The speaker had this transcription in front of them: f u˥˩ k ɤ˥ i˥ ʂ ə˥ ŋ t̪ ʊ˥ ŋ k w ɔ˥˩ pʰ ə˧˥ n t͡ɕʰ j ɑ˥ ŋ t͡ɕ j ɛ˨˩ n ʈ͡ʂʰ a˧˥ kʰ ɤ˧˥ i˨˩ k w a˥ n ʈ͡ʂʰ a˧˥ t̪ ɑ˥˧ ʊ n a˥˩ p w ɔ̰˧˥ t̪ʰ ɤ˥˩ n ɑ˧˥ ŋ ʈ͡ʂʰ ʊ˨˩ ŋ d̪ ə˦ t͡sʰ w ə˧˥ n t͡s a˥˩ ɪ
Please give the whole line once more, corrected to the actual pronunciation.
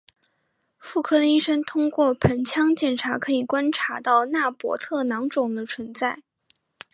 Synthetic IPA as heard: f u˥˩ kʰ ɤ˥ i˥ ʂ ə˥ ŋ t̪ʰ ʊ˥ ŋ k w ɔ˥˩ pʰ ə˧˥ n t͡ɕʰ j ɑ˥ ŋ t͡ɕ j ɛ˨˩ n ʈ͡ʂʰ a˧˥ kʰ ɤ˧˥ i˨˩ k w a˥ n ʈ͡ʂʰ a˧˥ t̪ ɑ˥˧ ʊ n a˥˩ p w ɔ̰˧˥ t̪ʰ ɤ˥˩ n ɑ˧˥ ŋ ʈ͡ʂ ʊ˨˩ ŋ d̪ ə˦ t͡sʰ w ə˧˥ n t͡s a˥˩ ɪ

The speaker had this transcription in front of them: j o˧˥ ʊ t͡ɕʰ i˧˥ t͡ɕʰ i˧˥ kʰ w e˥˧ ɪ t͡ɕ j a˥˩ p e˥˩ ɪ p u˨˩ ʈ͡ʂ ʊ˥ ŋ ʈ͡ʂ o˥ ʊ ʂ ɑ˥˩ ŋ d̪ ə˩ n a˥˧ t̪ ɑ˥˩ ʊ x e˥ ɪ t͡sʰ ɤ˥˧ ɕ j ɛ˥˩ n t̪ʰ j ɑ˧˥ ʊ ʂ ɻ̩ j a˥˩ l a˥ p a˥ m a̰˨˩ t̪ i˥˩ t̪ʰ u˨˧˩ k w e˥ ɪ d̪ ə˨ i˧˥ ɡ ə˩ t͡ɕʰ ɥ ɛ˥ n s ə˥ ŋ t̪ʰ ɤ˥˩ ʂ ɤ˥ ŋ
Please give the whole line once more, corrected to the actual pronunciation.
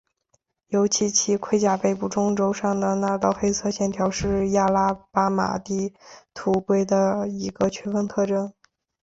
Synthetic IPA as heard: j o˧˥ ʊ t͡ɕʰ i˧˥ t͡ɕʰ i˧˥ kʰ w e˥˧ ɪ t͡ɕ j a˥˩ p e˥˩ ɪ p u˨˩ ʈ͡ʂ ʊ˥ ŋ ʈ͡ʂ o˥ ʊ ʂ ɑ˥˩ ŋ d̪ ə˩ n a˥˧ t̪ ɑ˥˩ ʊ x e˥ ɪ t͡sʰ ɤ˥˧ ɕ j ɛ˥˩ n t̪ʰ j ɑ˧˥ ʊ ʂ ɻ̩ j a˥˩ l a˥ p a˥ m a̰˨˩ t̪ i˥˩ t̪ʰ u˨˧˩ k w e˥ ɪ d̪ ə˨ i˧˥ ɡ ə˧ t͡ɕʰ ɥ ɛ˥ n f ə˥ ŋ t̪ʰ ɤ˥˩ ʈ͡ʂ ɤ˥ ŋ

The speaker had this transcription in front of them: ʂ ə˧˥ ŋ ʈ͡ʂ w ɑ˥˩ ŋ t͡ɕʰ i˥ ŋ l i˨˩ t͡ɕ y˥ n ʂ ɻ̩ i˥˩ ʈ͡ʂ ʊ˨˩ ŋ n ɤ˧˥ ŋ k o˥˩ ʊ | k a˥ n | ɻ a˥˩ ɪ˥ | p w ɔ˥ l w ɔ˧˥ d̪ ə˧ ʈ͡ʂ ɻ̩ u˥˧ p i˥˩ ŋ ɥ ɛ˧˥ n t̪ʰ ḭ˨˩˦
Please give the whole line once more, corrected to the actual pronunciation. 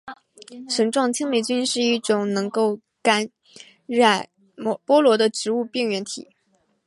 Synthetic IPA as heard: ʂ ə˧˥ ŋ ʈ͡ʂ w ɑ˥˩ ŋ t͡ɕʰ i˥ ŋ l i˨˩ t͡ɕ y˥ n ʂ ɻ̩ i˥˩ ʈ͡ʂ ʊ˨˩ ŋ n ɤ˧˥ ŋ k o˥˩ ʊ | k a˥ n | ɻ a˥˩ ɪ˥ | p w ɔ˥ l w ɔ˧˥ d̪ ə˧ ʈ͡ʂ ɻ̩ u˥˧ p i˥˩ ŋ ɥ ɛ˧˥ n t̪ʰ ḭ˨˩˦

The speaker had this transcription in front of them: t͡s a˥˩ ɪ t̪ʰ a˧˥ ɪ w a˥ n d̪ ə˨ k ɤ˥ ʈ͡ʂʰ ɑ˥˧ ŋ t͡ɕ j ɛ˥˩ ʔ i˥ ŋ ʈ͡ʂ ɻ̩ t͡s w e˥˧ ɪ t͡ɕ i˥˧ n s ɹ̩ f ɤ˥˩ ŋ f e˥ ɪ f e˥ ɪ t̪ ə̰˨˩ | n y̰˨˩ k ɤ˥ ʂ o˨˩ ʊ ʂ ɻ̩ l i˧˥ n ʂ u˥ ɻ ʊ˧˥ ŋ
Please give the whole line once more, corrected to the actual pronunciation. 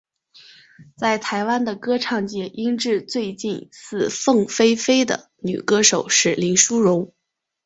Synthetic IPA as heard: t͡s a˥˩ ɪ t̪ʰ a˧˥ ɪ w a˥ n d̪ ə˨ k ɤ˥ ʈ͡ʂʰ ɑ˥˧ ŋ t͡ɕ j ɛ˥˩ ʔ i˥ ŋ ʈ͡ʂ ɻ̩ t͡s w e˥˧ ɪ t͡ɕ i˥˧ n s ɹ̩ f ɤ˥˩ ŋ f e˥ ɪ f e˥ ɪ d̪ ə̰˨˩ | n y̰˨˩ k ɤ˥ ʂ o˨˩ ʊ ʂ ɻ̩ l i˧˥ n ʂ u˥ ɻ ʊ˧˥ ŋ

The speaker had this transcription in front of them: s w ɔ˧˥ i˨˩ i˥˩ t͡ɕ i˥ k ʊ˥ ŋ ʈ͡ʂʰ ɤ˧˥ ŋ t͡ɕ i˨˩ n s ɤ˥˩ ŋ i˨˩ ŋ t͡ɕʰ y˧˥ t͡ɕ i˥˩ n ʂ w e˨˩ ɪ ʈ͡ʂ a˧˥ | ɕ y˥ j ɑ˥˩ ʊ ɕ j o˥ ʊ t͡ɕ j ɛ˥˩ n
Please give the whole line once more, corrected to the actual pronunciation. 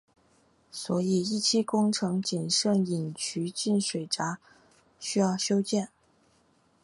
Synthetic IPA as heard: s w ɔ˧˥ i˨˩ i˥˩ t͡ɕʰ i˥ k ʊ˥ ŋ ʈ͡ʂʰ ɤ˧˥ ŋ t͡ɕ i˨˩ n ʂ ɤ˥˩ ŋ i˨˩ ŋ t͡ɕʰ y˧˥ t͡ɕ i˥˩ n ʂ w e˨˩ ɪ ʈ͡ʂ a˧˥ | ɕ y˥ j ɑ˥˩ ʊ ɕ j o˥ ʊ t͡ɕ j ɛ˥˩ n

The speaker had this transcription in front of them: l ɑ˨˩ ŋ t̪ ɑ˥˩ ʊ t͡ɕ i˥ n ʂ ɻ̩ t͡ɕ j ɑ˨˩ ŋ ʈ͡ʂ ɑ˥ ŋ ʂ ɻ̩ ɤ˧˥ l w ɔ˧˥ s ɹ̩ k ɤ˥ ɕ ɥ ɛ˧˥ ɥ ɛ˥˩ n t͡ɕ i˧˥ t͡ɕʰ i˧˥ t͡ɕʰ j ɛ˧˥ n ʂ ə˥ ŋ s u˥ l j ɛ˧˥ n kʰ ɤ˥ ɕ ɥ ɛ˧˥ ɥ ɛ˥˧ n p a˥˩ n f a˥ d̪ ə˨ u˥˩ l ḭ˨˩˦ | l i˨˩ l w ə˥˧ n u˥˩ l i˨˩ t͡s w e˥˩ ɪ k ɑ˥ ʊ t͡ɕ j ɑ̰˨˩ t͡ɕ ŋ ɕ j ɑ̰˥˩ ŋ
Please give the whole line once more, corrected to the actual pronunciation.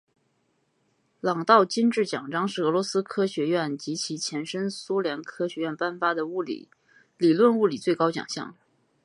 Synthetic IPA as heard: l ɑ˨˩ ŋ t̪ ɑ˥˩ ʊ t͡ɕ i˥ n ʈ͡ʂ ɻ̩ t͡ɕ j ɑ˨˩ ŋ ʈ͡ʂ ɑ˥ ŋ ʂ ɻ̩ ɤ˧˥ l w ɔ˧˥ s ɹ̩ kʰ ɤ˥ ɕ ɥ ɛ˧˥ ɥ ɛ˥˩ n t͡ɕ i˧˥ t͡ɕʰ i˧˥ t͡ɕʰ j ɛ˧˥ n ʂ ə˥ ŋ s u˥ l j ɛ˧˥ n kʰ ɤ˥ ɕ ɥ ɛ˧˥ ɥ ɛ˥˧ n p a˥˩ n f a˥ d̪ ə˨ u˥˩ l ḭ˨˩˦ | l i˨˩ l w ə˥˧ n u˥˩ l i˨˩ t͡s w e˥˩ ɪ k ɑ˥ ʊ t͡ɕ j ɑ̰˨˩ ŋ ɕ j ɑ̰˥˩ ŋ

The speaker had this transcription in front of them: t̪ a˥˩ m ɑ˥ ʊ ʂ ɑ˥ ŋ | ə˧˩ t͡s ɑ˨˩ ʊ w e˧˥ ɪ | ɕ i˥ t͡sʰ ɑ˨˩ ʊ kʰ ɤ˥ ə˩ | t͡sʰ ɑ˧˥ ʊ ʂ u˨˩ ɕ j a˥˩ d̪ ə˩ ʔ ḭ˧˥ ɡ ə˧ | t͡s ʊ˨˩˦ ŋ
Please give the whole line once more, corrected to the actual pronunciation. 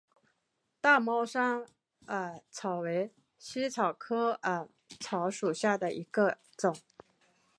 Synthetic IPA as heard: t̪ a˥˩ m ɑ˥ ʊ ʂ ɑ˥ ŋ | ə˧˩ t͡sʰ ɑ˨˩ ʊ w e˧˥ ɪ | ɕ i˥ t͡sʰ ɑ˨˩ ʊ kʰ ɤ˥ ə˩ | t͡sʰ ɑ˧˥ ʊ ʂ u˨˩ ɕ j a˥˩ d̪ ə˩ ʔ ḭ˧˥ ɡ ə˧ | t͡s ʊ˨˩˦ ŋ

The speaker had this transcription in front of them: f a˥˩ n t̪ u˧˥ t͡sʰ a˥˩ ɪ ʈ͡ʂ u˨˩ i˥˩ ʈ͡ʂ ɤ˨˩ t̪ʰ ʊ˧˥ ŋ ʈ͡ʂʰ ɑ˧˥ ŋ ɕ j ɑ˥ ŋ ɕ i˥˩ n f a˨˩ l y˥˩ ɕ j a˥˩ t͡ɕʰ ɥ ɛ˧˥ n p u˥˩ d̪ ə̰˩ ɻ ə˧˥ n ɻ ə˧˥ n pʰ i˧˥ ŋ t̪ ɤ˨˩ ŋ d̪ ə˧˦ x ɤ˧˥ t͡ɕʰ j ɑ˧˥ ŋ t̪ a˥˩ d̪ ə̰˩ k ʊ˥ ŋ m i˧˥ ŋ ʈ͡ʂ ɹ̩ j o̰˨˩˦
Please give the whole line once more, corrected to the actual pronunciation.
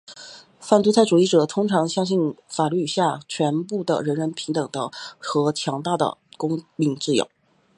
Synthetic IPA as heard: f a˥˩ n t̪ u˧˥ t͡sʰ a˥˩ ɪ ʈ͡ʂ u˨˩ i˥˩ ʈ͡ʂ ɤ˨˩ t̪ʰ ʊ˥ ŋ ʈ͡ʂʰ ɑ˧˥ ŋ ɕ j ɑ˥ ŋ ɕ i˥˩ n f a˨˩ l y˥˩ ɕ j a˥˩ t͡ɕʰ ɥ ɛ˧˥ n p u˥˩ d̪ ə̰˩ ɻ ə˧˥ n ɻ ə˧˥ n pʰ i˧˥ ŋ t̪ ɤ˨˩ ŋ d̪ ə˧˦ x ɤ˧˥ t͡ɕʰ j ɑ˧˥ ŋ t̪ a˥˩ d̪ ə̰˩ k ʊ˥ ŋ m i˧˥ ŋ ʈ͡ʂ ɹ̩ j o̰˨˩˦

